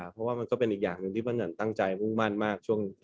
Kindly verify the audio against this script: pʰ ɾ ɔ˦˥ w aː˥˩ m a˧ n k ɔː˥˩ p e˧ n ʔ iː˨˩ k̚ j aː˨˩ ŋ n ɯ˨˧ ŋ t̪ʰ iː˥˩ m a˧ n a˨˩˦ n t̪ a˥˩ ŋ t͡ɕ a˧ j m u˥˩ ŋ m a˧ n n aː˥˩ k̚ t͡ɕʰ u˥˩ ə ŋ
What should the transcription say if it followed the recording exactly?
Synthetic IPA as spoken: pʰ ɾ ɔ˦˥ w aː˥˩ m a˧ n k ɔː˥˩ p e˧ n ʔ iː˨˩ k̚ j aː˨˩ ŋ n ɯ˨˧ ŋ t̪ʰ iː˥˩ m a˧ n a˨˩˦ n t̪ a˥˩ ŋ t͡ɕ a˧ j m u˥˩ ŋ m a˥˩ n m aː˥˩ k̚ t͡ɕʰ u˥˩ ə ŋ